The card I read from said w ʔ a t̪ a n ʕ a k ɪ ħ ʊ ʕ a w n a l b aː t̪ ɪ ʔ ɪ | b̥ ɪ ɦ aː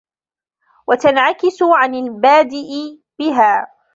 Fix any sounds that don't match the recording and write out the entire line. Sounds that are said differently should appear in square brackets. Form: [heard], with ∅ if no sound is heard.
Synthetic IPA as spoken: w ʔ a t̪ a n ʕ a k ɪ [s] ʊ ʕ a [∅] n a l b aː [d̪] ɪ ʔ ɪ | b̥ ɪ ɦ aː